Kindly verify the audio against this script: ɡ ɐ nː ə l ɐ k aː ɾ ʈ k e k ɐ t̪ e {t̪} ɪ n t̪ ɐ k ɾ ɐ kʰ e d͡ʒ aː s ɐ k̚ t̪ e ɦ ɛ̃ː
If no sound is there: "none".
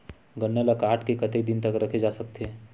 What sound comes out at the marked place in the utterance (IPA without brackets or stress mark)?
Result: d̪